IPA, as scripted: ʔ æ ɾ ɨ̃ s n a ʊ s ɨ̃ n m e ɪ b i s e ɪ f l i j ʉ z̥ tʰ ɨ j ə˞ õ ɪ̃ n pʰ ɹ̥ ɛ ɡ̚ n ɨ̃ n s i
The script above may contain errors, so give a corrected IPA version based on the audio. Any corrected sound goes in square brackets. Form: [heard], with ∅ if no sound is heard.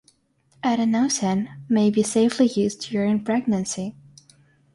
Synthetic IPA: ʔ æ ɾ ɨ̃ [∅] n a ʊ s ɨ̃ n m e ɪ b i s e ɪ f l i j ʉ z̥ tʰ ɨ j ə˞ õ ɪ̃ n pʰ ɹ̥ ɛ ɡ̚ n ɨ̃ n s i